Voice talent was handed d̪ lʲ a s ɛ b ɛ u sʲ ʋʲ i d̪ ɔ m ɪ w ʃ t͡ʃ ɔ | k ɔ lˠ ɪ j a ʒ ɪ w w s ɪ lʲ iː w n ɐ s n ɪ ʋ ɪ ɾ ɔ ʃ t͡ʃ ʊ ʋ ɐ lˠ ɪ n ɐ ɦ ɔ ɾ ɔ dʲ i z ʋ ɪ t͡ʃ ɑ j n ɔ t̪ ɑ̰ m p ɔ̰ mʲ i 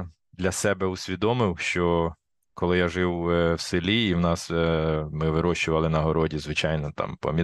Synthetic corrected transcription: d̪ lʲ ɐ s ɛ b ɛ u sʲ ʋʲ i d̪ ɔ m ɪ w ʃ t͡ʃ ɔ | k ɔ lˠ ɪ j a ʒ ɪ w w s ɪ lʲ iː w n ɑ s m ɪ ʋ ɪ ɾ ɔ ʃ t͡ʃ ʊ ʋ ɐ lˠ ɪ n ɐ ɦ ɔ ɾ ɔ dʲ i z ʋ ɪ t͡ʃ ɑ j n ɔ t̪ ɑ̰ m p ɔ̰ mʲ i